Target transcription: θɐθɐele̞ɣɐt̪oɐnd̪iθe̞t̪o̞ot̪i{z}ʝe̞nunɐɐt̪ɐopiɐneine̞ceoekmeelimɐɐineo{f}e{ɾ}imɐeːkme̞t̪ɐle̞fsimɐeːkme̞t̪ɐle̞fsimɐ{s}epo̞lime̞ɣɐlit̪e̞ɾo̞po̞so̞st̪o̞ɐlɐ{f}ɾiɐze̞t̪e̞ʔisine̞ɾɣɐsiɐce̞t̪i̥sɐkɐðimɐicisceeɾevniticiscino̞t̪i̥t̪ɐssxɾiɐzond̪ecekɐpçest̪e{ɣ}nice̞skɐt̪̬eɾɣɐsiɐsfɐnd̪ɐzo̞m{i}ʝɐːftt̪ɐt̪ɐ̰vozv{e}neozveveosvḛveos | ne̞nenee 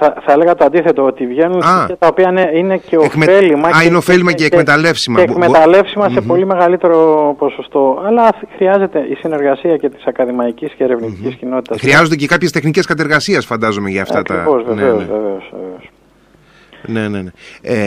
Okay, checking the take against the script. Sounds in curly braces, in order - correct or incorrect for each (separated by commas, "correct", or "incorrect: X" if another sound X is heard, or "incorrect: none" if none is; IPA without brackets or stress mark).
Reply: incorrect: v, correct, incorrect: l, correct, incorrect: x, incorrect: x, incorrect: e, correct